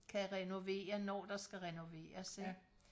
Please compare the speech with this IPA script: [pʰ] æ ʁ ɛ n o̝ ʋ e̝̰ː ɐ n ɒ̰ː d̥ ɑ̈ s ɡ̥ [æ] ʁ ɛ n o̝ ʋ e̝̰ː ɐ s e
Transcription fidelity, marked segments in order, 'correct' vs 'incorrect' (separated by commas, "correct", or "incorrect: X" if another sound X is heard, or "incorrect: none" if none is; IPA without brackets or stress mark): incorrect: kʰ, correct